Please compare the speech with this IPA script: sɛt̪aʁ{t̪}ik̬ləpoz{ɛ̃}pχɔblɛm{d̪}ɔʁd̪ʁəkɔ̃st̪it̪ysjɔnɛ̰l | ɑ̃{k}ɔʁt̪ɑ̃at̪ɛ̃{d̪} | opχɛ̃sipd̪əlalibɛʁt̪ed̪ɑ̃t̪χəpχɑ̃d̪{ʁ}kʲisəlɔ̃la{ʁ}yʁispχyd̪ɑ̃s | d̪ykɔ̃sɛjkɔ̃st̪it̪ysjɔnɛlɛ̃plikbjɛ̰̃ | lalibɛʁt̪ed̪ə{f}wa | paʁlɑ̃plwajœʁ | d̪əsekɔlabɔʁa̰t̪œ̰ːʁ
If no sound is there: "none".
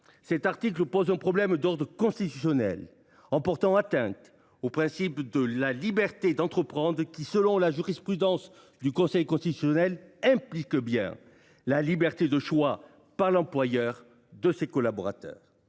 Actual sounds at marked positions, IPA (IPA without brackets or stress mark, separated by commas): t̪, ɛ̃, d̪, p, t̪, ʁ, ʒ, ʃ